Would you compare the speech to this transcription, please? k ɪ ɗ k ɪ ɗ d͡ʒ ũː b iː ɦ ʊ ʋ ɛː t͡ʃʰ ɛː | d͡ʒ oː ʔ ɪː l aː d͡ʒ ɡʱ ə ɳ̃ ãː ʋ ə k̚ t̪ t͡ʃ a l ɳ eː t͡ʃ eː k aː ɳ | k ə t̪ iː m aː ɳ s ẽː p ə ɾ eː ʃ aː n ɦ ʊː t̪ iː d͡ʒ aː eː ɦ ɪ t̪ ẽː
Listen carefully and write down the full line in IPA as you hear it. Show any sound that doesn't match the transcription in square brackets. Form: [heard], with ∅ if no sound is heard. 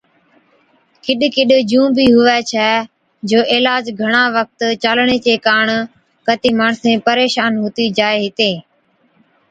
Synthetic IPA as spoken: k ɪ ɗ k ɪ ɗ d͡ʒ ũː b iː ɦ ʊ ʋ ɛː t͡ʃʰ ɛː | d͡ʒ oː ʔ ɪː l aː d͡ʒ ɡʱ ə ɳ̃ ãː ʋ ə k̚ t̪ t͡ʃ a l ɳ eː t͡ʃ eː k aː ɳ | k ə t̪ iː m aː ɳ s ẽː p ə ɾ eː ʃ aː n ɦ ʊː t̪ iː d͡ʒ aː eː ɦ ɪ t̪ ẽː